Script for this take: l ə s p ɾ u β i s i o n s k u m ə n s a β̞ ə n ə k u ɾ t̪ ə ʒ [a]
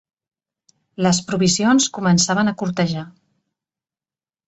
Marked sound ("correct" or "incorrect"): correct